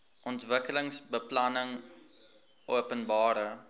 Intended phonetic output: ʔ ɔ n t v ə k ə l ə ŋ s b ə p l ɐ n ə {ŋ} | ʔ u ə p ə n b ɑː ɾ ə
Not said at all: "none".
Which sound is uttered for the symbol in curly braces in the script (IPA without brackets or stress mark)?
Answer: ŋ